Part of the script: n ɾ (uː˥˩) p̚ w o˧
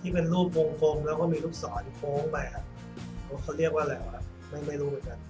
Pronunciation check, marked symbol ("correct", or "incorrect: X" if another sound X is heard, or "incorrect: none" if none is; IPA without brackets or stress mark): correct